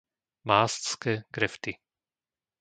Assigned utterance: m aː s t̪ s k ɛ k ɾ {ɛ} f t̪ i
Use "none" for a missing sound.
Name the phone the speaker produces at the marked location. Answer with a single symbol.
ɛ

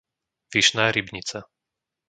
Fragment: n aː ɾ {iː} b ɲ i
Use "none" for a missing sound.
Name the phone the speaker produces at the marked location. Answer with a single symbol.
i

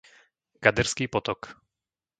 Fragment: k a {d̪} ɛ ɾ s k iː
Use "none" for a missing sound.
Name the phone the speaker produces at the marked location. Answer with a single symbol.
d̪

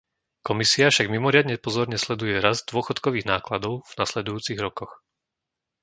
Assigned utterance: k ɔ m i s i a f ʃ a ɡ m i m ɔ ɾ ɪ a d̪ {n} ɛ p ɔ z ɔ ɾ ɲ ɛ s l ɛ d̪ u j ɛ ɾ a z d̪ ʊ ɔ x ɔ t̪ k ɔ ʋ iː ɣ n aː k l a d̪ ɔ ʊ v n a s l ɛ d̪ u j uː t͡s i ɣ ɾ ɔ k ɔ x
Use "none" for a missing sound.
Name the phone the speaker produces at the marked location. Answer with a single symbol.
ɲ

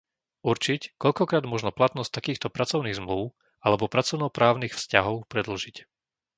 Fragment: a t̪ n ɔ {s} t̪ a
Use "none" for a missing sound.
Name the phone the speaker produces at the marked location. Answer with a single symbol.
s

